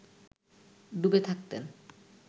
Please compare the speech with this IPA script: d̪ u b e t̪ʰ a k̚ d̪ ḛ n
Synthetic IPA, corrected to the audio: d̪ u b e t̪ʰ a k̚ t̪ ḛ n